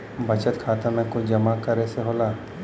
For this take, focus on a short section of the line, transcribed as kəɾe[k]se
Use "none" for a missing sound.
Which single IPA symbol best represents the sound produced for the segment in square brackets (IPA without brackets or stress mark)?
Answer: none